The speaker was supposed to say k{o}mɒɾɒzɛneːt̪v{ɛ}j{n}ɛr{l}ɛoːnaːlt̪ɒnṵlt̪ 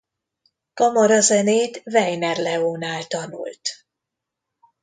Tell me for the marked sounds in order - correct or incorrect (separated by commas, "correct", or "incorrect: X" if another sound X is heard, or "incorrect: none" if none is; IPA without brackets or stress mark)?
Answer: incorrect: ɒ, correct, correct, correct